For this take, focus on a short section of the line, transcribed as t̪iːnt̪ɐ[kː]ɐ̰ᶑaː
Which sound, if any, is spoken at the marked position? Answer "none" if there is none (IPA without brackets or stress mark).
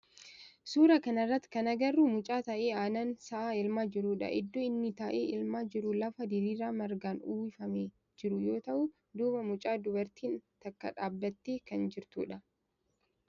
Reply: kː